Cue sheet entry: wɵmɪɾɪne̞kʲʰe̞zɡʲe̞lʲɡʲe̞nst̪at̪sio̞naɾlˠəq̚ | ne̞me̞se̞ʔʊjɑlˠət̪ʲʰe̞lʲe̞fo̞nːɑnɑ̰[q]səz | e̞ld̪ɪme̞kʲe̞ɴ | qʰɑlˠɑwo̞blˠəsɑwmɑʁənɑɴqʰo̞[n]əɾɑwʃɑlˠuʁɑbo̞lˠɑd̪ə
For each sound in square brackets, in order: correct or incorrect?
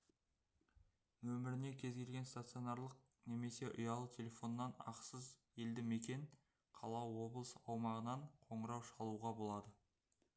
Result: correct, incorrect

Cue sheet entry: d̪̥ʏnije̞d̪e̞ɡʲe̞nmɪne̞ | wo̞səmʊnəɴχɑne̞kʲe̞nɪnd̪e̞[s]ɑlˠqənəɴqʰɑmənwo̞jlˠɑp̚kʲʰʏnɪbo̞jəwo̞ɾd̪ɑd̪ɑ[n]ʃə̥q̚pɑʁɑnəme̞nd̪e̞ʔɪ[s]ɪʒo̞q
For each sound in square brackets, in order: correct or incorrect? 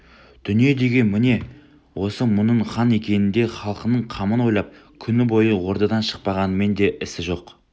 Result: incorrect, correct, correct

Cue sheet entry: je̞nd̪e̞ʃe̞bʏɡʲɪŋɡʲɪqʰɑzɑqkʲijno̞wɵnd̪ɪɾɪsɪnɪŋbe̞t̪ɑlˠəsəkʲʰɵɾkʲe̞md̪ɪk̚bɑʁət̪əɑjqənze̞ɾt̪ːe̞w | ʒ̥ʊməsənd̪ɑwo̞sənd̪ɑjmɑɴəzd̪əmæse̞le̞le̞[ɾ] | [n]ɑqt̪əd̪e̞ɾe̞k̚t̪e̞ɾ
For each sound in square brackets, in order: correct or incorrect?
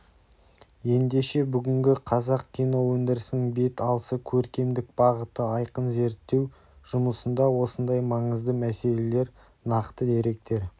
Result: correct, correct

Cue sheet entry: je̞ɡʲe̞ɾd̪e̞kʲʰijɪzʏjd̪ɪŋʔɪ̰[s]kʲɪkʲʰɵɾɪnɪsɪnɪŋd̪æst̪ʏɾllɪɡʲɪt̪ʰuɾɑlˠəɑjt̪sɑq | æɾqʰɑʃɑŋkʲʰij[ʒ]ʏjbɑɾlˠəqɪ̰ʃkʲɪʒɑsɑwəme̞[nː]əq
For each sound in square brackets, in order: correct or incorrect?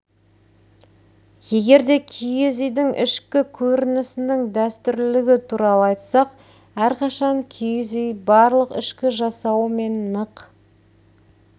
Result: incorrect, incorrect, correct

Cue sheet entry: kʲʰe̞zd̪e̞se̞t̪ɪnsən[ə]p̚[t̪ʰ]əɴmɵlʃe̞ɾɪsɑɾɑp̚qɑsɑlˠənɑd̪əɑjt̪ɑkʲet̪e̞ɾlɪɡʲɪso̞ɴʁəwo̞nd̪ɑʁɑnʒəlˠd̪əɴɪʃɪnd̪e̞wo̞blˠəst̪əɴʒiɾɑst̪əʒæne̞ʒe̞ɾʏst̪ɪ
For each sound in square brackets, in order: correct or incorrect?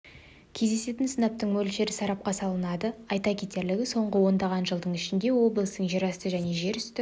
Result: incorrect, incorrect

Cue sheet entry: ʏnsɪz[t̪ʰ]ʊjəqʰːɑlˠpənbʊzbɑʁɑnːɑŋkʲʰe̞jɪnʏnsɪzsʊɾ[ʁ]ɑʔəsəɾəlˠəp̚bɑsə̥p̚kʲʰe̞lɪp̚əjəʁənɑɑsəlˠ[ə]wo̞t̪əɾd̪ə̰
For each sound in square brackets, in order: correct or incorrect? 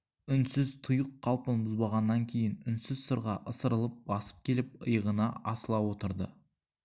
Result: correct, correct, incorrect

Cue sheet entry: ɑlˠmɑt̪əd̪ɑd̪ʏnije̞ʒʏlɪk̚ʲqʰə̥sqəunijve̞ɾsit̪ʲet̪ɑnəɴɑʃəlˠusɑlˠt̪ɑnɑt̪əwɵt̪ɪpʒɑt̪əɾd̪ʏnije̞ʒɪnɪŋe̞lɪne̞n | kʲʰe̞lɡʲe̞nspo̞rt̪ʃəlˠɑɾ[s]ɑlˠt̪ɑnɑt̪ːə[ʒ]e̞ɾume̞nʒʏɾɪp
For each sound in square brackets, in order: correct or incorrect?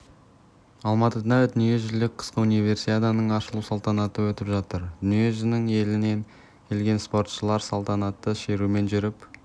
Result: correct, incorrect

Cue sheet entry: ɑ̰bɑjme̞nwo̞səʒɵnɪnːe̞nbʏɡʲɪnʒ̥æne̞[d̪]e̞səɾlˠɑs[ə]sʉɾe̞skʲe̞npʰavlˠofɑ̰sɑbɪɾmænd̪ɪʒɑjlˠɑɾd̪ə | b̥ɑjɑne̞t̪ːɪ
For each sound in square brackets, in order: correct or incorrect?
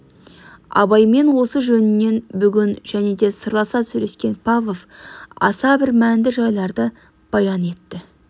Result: correct, incorrect

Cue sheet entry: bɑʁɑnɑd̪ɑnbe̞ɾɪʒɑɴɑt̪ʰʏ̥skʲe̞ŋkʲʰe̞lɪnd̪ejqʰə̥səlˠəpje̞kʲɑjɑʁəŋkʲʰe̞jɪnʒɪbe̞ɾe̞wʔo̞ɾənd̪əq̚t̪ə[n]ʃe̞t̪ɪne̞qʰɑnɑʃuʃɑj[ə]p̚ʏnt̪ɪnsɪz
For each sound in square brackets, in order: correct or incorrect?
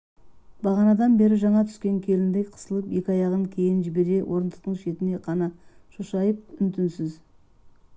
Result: incorrect, correct

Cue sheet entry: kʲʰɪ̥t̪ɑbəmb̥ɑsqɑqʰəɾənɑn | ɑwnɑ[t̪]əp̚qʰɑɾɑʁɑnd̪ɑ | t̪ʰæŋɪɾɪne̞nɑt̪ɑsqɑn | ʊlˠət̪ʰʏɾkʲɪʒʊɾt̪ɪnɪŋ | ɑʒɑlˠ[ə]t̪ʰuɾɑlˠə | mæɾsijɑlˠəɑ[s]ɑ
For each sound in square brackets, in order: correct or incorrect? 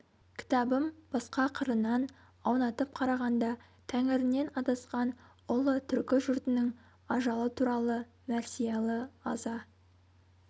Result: correct, correct, incorrect

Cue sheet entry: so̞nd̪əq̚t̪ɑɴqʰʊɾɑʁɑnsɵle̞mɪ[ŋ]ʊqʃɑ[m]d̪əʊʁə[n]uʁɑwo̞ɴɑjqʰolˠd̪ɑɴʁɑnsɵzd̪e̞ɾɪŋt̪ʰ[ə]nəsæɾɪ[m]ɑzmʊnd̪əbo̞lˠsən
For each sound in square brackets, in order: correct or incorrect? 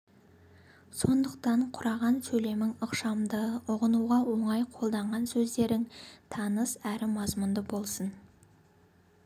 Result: correct, correct, correct, incorrect, correct

